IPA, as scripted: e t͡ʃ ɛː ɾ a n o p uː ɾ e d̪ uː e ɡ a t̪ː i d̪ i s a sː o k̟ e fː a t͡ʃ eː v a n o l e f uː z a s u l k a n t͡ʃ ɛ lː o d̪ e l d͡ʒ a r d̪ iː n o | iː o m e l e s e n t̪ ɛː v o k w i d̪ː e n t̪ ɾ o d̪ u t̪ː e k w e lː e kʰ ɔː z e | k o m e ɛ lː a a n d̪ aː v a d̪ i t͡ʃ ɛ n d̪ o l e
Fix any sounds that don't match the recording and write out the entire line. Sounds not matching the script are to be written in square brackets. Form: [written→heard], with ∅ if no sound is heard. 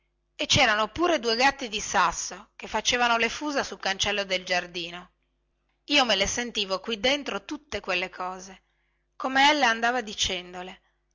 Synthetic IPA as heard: e t͡ʃ ɛː ɾ a n o p uː ɾ e d̪ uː e ɡ a t̪ː i d̪ i s a sː o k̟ e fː a t͡ʃ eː v a n o l e f uː z a s u l k a n t͡ʃ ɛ lː o d̪ e l d͡ʒ a r d̪ iː n o | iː o m e l e s e n t̪ [ɛː→iː] v o k w i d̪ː e n t̪ ɾ o [d̪→t̪] u t̪ː e k w e lː e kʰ ɔː z e | k o m e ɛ lː a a n d̪ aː v a d̪ i t͡ʃ ɛ n d̪ o l e